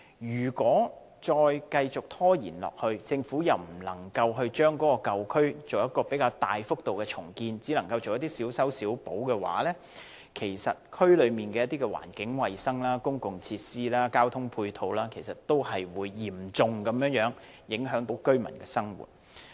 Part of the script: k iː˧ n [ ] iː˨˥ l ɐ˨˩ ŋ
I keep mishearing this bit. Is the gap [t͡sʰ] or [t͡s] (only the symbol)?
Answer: t͡s